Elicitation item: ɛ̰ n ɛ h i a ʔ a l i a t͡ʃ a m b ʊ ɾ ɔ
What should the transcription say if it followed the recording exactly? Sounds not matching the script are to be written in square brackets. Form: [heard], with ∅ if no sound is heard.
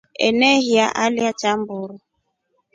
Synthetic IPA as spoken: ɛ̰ n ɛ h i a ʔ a l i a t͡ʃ a m b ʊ ɾ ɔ